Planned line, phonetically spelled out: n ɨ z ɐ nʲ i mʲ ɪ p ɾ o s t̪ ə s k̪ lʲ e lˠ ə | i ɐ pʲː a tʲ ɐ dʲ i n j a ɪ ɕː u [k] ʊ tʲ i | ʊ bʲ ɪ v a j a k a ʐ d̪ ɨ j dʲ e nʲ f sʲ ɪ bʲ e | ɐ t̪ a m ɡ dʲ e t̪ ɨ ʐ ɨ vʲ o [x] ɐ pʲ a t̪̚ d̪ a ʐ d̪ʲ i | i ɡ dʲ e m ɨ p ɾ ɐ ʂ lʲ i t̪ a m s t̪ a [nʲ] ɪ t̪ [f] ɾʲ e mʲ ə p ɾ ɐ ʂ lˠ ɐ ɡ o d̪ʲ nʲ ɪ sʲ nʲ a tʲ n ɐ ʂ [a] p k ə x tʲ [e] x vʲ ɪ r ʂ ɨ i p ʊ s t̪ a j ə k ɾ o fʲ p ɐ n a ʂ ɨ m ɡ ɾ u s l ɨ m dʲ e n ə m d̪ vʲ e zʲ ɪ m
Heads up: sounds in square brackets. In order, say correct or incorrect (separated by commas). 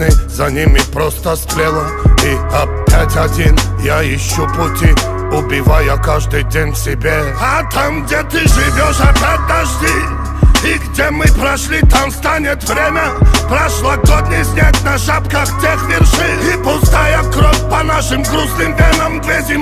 incorrect, incorrect, correct, incorrect, correct, correct